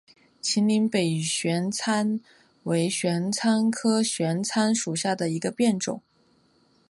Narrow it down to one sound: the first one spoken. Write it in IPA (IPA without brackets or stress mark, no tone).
t͡ɕʰ